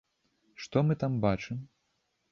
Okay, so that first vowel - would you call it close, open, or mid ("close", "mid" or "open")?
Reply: mid